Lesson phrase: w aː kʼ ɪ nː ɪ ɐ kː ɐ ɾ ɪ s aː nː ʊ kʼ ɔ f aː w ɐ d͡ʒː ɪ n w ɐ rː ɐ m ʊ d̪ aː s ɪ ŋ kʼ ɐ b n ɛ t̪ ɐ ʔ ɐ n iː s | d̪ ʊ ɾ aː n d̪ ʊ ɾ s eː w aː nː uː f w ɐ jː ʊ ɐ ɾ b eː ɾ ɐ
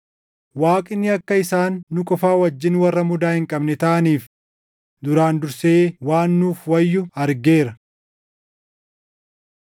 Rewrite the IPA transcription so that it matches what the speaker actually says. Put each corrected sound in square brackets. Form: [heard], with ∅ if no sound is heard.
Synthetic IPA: w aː kʼ ɪ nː ɪ ɐ kː ɐ [∅] ɪ s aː nː ʊ kʼ ɔ f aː w ɐ d͡ʒː ɪ n w ɐ rː ɐ m ʊ d̪ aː [h] ɪ ŋ kʼ ɐ b n ɛ t̪ ɐ ʔ ɐ n iː [f] | d̪ ʊ ɾ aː n d̪ ʊ ɾ s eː w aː nː uː f w ɐ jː ʊ ɐ ɾ [ɡ] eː ɾ ɐ